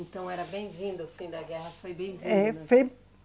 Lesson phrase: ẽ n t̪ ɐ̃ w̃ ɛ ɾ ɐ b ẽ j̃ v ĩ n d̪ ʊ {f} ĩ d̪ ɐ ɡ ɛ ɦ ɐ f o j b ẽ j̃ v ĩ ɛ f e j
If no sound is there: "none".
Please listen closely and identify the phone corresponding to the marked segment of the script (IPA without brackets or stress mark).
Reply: f